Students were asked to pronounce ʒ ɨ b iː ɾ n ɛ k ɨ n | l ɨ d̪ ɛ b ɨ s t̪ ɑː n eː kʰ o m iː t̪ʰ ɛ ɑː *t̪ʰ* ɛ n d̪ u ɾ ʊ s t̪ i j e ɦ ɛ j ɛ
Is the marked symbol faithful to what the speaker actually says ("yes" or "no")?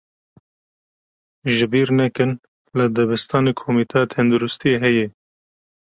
yes